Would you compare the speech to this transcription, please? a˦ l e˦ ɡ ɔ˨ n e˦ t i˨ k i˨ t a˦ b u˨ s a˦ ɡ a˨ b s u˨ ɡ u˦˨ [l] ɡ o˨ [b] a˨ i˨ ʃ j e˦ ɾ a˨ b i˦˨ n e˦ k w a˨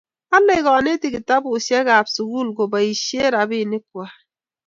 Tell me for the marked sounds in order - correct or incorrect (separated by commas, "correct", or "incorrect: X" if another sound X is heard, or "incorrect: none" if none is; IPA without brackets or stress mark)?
correct, correct